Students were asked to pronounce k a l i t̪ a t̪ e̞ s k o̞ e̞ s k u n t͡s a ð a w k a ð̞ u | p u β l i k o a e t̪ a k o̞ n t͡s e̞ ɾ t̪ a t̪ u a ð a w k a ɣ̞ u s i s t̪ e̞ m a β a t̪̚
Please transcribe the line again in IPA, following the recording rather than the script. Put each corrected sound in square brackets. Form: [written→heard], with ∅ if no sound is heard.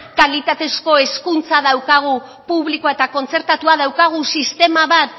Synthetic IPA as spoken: k a l i t̪ a t̪ e̞ s k o̞ e̞ s k u n t͡s a ð a w k a [ð̞→ɣ̞] u | p u β l i k o a e t̪ a k o̞ n t͡s e̞ ɾ t̪ a t̪ u a ð a w k a ɣ̞ u s i s t̪ e̞ m a β a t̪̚